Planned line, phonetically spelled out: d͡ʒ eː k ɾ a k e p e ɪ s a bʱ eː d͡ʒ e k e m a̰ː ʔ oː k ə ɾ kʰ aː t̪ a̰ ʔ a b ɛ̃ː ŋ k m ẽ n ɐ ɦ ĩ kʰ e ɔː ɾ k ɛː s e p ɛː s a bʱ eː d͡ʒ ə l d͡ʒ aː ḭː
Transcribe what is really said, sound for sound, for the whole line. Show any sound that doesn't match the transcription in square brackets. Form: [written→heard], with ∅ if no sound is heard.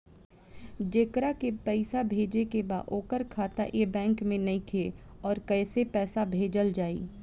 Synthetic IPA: d͡ʒ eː k ɾ a k e p [e→ɛ] ɪ s a bʱ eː d͡ʒ e k e [m→b] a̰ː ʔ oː k ə ɾ kʰ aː t̪ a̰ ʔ [a→e] b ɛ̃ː ŋ k m ẽ n ɐ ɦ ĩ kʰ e ɔː ɾ k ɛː s e p ɛː s a bʱ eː d͡ʒ ə l d͡ʒ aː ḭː

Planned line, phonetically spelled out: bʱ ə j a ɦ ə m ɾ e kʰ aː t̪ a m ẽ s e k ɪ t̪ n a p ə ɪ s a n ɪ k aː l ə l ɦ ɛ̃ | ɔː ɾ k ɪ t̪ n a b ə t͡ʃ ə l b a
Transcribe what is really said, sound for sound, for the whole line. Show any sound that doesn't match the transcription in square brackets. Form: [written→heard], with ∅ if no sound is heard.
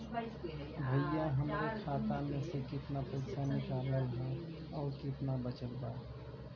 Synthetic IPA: bʱ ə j a ɦ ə m ɾ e kʰ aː t̪ a m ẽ s e k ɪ t̪ n a p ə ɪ s a n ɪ k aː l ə l ɦ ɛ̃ | ɔː ɾ k ɪ t̪ n a b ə t͡ʃ ə l b a

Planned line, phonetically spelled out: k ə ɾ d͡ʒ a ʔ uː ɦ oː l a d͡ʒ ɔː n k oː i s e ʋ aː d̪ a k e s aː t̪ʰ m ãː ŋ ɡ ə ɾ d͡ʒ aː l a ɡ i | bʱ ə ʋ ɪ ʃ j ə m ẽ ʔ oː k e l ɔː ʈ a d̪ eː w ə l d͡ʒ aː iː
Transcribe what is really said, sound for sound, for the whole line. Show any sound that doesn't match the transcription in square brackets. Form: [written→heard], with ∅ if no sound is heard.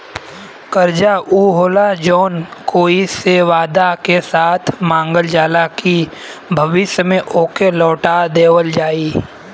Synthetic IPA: k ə ɾ d͡ʒ a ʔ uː ɦ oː l a d͡ʒ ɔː n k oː i s e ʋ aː d̪ a k e s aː t̪ʰ m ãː ŋ ɡ ə [ɾ→l] d͡ʒ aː l a [ɡ→k] i | bʱ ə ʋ ɪ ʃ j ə m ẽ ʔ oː k e l ɔː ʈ a d̪ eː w ə l d͡ʒ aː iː

